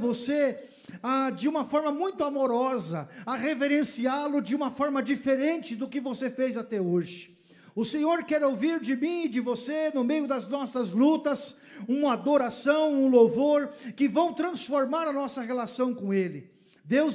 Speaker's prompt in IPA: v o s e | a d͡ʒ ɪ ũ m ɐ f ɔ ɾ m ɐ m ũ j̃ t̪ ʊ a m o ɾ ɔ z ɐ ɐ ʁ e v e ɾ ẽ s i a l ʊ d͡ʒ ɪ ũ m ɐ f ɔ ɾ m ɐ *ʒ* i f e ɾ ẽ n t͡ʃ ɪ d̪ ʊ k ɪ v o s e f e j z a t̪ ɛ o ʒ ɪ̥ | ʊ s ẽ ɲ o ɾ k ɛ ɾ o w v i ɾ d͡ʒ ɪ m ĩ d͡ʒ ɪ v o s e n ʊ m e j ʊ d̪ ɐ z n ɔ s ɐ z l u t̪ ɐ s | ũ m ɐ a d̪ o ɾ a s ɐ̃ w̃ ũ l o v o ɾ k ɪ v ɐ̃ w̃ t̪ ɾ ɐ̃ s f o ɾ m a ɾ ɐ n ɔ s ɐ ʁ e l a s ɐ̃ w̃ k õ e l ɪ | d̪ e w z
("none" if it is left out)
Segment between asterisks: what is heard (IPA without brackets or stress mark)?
d͡ʒ